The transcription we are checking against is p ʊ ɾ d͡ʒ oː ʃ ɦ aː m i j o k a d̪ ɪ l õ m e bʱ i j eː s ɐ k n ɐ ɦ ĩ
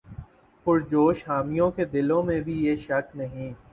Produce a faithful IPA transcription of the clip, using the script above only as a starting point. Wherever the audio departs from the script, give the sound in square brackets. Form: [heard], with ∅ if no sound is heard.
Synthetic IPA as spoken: p ʊ ɾ d͡ʒ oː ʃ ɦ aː m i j [õ] k [e] d̪ ɪ l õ m [ẽ] bʱ i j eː [ʃ] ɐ k n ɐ ɦ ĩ

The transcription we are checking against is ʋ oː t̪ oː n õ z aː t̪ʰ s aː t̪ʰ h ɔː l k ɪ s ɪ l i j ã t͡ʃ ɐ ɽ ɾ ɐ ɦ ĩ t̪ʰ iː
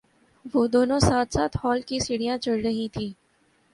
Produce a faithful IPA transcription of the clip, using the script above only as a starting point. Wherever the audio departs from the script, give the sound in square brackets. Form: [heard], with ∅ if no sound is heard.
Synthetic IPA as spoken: ʋ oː [d̪] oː n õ [s] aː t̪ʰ s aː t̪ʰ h ɔː l k [i] s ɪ [ɽ] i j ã t͡ʃ ɐ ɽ ɾ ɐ ɦ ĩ t̪ʰ iː

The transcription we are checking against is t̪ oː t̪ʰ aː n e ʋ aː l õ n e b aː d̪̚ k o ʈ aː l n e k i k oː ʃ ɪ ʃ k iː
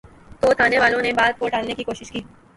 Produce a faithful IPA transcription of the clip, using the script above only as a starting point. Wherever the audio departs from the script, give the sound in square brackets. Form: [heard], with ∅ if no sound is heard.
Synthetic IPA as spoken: t̪ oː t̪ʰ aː n e ʋ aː l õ n e b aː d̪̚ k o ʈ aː l n e k i k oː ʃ ɪ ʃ k iː

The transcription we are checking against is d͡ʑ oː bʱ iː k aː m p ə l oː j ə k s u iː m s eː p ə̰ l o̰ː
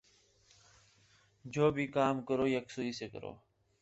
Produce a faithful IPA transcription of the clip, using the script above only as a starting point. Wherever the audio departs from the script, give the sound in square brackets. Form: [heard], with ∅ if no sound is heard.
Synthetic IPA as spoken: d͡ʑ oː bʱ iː k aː m [k] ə [ɾ] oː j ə k s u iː [∅] s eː [k] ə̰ [ɾ] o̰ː

